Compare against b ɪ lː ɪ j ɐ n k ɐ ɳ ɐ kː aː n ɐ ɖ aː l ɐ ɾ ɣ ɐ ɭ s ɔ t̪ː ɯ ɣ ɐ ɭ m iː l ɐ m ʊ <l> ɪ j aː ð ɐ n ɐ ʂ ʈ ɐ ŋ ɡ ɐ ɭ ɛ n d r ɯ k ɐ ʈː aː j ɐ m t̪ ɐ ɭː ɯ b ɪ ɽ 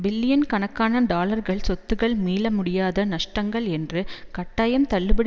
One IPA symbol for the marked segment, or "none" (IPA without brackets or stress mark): ɽ